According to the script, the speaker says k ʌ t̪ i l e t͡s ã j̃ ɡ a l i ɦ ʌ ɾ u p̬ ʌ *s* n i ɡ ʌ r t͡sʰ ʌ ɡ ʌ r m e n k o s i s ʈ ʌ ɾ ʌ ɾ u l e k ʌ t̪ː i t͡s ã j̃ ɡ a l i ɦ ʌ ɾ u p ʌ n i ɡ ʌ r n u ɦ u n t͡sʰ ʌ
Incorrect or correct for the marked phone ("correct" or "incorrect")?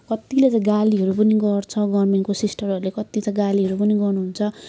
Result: incorrect